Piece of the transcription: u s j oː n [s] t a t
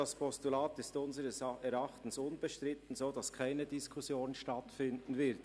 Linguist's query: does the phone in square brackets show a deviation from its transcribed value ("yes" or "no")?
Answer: yes